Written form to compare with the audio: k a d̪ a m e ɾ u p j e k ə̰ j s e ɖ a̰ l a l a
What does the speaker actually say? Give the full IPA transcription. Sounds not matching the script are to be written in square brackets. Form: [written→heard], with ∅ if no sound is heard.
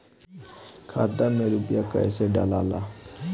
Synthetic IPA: [k→kʰ] a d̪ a m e ɾ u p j [e→a] k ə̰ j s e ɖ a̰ l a l a